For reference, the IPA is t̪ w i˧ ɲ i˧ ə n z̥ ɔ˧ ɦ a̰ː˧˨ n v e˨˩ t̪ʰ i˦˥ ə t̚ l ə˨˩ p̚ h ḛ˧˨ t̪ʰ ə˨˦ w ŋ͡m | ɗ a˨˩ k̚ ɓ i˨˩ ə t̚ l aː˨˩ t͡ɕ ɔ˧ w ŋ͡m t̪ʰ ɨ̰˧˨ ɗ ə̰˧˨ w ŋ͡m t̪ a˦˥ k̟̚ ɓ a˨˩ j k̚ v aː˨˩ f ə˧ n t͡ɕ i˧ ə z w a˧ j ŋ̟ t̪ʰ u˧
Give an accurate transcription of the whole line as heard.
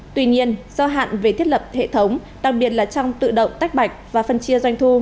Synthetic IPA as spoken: t̪ w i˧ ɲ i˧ ə n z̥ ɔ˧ ɦ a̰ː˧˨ n v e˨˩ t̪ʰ i˦˥ ə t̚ l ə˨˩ p̚ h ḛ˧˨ t̪ʰ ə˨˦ w ŋ͡m | ɗ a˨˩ k̚ ɓ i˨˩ ə t̚ l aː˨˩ t͡ɕ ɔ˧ w ŋ͡m t̪ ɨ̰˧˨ ɗ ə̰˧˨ w ŋ͡m t̪ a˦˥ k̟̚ ɓ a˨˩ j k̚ v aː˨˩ f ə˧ n t͡ɕ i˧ ə z w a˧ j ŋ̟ t̪ʰ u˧